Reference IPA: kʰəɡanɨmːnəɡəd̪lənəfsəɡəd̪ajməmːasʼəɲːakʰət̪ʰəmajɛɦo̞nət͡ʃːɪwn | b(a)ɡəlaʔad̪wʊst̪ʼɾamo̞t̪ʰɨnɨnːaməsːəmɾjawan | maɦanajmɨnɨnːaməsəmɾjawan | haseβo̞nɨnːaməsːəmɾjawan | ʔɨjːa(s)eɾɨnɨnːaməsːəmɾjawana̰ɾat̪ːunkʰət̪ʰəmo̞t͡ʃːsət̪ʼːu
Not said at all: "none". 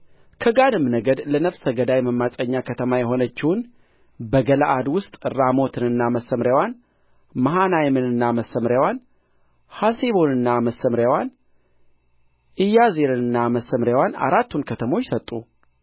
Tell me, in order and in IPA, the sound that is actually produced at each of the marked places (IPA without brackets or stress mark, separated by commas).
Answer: ə, z